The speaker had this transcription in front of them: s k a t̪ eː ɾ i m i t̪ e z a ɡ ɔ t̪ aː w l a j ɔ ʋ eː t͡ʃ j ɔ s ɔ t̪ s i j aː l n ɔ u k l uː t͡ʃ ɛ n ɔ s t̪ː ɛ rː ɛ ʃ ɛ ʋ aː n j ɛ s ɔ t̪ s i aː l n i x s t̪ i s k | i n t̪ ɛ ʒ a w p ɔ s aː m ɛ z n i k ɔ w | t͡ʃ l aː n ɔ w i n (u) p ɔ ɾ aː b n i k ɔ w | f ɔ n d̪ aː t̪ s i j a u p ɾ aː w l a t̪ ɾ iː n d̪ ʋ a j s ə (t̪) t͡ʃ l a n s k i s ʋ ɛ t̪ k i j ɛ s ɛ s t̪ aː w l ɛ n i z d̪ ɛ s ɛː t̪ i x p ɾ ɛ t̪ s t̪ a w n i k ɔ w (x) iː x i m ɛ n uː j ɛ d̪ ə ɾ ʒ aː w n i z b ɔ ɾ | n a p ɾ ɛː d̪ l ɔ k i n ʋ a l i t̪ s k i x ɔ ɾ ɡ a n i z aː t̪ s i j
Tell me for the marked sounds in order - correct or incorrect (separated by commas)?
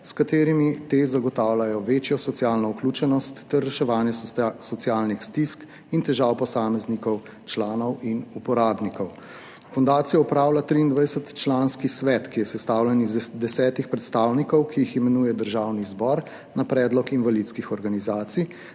correct, correct, incorrect